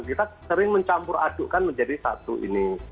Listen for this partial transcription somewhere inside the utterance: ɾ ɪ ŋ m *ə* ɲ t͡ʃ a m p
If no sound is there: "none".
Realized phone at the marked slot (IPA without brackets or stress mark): ə